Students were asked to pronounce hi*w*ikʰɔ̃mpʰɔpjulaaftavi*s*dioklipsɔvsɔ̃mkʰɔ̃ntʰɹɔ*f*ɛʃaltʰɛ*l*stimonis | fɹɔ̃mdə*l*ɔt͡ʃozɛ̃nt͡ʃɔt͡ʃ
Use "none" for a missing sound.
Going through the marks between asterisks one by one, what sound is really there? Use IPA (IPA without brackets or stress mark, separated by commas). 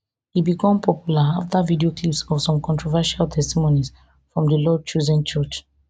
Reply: b, none, v, none, l